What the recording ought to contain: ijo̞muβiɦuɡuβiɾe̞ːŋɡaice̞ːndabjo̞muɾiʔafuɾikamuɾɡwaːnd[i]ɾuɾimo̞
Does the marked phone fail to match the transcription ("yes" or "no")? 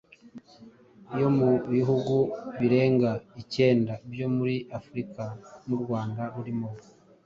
yes